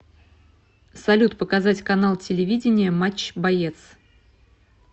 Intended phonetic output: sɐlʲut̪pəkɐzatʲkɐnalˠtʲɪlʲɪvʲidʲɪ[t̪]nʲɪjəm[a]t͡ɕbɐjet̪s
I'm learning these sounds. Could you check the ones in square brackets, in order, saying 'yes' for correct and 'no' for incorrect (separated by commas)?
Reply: no, yes